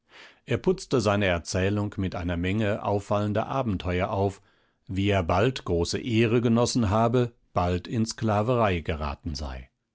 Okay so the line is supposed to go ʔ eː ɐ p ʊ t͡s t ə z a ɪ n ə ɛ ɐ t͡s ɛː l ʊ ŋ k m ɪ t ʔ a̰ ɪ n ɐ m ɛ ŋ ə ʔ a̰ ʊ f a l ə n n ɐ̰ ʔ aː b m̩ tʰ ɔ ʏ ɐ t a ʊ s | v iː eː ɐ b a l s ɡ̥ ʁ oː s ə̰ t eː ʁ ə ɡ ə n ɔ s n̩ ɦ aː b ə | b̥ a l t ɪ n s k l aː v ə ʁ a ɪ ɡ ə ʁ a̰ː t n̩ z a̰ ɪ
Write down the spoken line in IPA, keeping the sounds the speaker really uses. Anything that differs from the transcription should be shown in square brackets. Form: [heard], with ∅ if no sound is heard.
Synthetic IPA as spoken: ʔ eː ɐ p ʊ t͡s t ə z a ɪ n ə ɛ ɐ t͡s ɛː l ʊ ŋ k m ɪ t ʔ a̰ ɪ n ɐ m ɛ ŋ ə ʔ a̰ ʊ f a l ə n [d] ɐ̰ ʔ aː b m̩ tʰ ɔ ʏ ɐ [ʔ] a ʊ [f] | v iː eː ɐ b a l [t] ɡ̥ ʁ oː s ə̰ [ʔ] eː ʁ ə ɡ ə n ɔ s n̩ ɦ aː b ə | b̥ a l t ɪ n s k l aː v ə ʁ a ɪ ɡ ə ʁ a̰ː t n̩ z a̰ ɪ